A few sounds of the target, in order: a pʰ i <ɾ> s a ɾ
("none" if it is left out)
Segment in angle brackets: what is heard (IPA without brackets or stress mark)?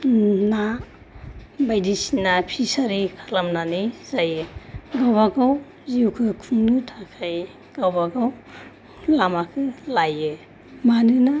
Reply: none